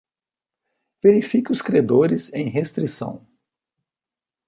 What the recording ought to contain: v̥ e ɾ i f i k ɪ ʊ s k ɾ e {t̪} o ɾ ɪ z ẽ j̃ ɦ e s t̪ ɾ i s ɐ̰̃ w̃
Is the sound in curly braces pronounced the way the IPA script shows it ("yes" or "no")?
no